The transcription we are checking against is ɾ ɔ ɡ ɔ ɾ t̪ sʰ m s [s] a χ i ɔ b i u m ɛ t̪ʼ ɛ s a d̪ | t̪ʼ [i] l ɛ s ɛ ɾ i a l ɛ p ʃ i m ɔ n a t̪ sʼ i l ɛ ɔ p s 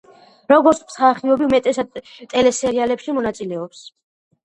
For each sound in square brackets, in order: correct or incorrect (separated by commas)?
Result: incorrect, incorrect